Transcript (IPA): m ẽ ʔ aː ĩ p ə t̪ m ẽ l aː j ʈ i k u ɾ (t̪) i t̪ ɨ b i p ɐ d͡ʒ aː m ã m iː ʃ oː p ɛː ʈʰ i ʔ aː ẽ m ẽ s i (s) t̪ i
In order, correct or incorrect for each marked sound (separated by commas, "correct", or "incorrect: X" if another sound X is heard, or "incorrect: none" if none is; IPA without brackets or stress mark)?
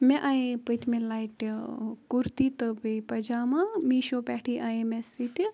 correct, incorrect: none